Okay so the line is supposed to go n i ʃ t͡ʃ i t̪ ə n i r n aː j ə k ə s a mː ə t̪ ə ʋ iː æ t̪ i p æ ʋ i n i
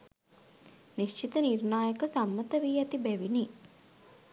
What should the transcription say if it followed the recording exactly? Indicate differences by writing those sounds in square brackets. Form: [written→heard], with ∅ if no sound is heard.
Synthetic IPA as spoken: n i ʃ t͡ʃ i t̪ ə n i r n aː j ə k ə s a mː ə t̪ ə ʋ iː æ t̪ i [p→b] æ ʋ i n i